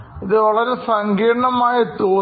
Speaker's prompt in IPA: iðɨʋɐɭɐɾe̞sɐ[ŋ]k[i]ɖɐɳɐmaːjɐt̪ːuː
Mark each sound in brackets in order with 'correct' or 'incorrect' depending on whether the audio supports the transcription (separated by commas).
correct, incorrect